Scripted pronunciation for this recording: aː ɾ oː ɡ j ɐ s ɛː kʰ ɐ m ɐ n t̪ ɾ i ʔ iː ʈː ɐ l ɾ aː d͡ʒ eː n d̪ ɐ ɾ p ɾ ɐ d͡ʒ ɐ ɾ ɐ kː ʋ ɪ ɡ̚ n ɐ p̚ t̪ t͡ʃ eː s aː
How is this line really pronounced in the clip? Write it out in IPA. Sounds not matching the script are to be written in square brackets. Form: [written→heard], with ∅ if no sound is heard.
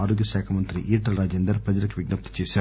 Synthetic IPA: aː ɾ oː ɡ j ɐ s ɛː kʰ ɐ m ɐ n t̪ ɾ i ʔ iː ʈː ɐ l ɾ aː d͡ʒ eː n d̪ ɐ ɾ p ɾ ɐ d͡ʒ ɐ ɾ ɐ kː ʋ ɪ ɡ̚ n ɐ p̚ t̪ t͡ʃ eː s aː